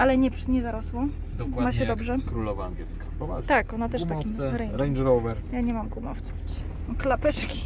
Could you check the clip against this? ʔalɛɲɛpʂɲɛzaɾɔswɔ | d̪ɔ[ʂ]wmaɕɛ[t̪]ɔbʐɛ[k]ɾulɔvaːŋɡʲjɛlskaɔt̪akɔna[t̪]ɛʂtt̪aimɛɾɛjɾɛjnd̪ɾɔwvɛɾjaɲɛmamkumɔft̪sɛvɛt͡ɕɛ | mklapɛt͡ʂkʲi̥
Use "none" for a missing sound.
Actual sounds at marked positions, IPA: none, d̪, k, t̪

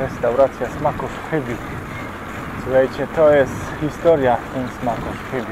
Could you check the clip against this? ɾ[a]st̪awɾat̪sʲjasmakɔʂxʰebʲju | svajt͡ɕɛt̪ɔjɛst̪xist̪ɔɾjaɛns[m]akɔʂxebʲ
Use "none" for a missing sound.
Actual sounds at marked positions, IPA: ɛ, m

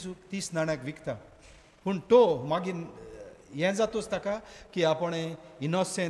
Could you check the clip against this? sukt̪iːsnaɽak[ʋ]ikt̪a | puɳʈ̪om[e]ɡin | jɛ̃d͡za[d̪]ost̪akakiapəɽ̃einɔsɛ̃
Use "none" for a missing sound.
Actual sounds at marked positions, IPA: ʋ, a, t̪

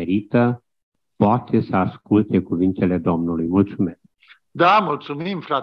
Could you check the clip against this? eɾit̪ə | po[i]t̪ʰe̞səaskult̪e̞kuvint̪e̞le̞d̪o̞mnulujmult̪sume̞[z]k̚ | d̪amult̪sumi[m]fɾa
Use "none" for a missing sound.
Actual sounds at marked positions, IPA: a, s, m

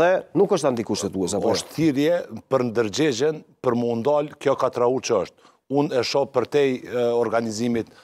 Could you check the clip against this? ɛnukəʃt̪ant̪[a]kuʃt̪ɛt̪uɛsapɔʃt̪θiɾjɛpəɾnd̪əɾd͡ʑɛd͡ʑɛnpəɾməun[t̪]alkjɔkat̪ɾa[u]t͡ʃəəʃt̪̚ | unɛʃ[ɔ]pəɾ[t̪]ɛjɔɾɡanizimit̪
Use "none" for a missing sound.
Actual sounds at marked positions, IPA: i, d̪, u, ɔ, t̪

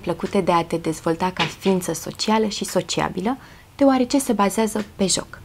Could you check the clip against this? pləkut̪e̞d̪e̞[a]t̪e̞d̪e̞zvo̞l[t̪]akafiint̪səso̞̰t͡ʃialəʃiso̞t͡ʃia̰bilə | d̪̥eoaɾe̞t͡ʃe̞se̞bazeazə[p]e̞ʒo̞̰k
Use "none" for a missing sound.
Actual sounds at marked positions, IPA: a, t̪, p

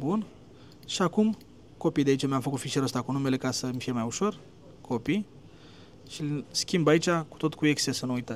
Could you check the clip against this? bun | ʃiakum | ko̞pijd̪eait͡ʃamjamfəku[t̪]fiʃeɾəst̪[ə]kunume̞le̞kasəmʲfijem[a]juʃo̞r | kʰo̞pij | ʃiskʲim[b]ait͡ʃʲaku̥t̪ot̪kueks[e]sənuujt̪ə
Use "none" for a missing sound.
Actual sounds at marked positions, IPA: t̪, a, a, b, e

